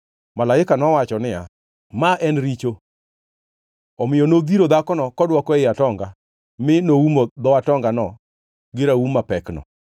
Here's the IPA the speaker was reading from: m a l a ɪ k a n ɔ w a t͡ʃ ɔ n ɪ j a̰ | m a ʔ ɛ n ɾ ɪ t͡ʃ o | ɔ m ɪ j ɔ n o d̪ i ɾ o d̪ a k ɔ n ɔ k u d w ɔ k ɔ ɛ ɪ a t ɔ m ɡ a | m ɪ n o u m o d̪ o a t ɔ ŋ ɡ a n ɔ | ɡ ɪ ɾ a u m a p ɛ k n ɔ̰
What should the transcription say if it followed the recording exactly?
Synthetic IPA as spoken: m a l a ɪ k a n ɔ w a t͡ʃ ɔ n ɪ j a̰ | m a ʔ ɛ n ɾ i t͡ʃ o | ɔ m ɪ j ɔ n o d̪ i ɾ o d̪ a k ɔ n ɔ k ɔ d w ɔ k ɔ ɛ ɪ a t ɔ ŋ ɡ a | m ɪ n o u m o d̪ ɔ a t ɔ ŋ ɡ a n ɔ | ɡ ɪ ɾ a u m a p ɛ k n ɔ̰